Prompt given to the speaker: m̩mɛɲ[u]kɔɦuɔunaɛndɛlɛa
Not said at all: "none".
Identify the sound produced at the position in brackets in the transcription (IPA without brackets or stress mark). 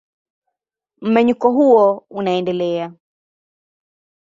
u